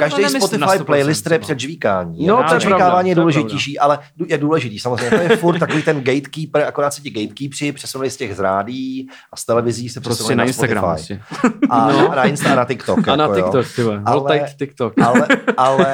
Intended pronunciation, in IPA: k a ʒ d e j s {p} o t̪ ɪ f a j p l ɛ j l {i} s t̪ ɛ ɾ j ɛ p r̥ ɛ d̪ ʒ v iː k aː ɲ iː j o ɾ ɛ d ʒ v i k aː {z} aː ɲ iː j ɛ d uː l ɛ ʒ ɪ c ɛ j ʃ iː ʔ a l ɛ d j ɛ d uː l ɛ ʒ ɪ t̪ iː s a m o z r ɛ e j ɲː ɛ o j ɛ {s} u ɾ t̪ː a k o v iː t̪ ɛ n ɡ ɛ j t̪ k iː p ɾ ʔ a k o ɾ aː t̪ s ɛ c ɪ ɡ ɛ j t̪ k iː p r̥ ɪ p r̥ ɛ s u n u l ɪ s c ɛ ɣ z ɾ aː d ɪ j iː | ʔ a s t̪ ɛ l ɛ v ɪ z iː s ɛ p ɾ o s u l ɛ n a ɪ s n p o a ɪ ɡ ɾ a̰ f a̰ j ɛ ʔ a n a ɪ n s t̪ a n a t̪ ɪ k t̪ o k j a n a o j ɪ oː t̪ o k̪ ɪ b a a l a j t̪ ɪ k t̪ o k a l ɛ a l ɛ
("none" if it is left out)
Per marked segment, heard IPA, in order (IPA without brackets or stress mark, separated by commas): p, ɪ, v, f